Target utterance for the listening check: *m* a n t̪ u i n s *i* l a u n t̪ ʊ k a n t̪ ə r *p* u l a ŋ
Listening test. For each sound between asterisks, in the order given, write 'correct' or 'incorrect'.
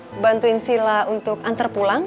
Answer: incorrect: b, correct, correct

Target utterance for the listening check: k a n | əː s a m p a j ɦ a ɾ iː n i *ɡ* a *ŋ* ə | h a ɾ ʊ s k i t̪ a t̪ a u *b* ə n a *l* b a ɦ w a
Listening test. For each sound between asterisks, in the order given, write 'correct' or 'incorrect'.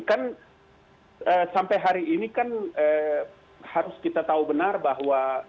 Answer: incorrect: k, incorrect: n, correct, incorrect: r

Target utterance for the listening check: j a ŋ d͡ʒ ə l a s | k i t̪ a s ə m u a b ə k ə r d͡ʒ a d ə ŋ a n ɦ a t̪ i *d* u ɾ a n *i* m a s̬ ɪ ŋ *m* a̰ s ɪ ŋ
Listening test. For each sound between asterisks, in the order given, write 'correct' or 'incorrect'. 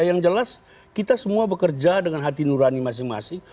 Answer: incorrect: n, correct, correct

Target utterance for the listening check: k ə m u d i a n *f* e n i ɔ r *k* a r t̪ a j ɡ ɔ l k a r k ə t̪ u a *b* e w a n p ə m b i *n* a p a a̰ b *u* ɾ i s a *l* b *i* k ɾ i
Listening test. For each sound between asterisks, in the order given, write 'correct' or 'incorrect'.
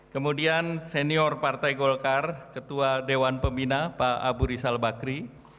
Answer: incorrect: s, incorrect: p, incorrect: d, correct, correct, correct, incorrect: a

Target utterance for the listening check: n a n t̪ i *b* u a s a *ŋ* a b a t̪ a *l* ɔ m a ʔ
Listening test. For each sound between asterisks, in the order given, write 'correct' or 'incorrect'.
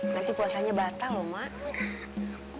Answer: incorrect: p, incorrect: ɲ, correct

